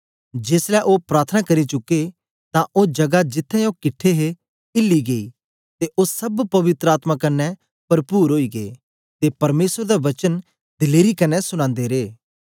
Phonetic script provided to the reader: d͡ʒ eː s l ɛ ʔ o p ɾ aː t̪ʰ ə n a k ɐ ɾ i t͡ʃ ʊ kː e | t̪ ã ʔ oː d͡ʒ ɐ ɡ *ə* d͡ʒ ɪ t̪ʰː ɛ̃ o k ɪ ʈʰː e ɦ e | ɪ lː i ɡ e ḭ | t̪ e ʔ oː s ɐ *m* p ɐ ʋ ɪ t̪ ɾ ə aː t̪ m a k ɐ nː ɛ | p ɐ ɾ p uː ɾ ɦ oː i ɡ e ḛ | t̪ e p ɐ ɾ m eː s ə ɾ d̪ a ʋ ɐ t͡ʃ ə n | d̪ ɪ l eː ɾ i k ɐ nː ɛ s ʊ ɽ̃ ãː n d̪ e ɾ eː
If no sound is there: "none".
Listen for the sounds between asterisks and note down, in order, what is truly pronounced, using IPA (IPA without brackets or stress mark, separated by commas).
a, b